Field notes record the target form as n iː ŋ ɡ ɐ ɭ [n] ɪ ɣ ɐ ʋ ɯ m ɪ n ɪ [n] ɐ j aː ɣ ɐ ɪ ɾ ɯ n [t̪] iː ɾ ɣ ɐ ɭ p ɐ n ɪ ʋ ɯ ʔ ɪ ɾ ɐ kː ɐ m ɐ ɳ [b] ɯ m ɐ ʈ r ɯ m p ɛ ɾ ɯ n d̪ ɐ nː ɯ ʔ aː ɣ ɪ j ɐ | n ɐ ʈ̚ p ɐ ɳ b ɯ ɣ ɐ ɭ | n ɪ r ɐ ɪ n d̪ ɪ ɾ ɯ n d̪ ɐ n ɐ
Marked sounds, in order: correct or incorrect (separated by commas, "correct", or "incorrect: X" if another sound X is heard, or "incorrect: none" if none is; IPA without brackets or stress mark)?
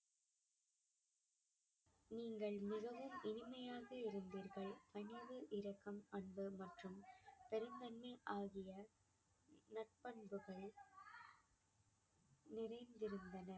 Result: incorrect: m, incorrect: m, incorrect: d̪, correct